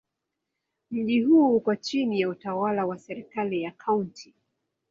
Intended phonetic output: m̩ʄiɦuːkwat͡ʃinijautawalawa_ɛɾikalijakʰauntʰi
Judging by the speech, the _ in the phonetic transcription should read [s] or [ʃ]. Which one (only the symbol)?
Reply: s